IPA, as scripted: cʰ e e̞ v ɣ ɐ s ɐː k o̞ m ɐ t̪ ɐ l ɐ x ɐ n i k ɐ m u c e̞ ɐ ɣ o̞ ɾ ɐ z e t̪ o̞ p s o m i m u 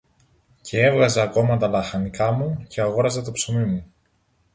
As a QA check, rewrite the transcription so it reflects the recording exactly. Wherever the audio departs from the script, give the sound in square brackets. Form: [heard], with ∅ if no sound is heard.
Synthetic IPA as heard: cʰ e e̞ v ɣ ɐ [z] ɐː k o̞ m ɐ t̪ ɐ l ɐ x ɐ n i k ɐ m u c e̞ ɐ ɣ o̞ ɾ ɐ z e t̪ o̞ p s o m i m u